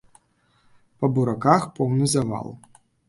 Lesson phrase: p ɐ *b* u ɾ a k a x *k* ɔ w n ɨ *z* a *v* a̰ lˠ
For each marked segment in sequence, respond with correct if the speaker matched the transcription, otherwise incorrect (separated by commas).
correct, incorrect, correct, correct